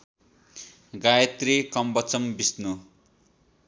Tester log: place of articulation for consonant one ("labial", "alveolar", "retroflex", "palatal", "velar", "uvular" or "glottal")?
velar